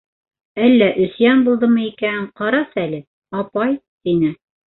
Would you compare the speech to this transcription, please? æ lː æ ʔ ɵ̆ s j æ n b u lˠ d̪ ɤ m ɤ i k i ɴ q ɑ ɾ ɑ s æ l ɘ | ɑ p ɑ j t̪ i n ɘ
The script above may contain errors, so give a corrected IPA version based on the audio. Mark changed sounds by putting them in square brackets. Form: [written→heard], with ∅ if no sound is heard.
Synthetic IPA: æ lː æ ʔ ɵ̆ s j æ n b u lˠ d̪ ɤ m ɤ i k [i→æ] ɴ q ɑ ɾ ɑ s æ l ɘ | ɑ p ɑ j t̪ i n ɘ